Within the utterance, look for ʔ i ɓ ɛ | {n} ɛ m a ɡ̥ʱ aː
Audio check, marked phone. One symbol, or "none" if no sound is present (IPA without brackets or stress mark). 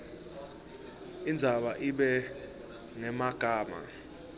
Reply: ŋ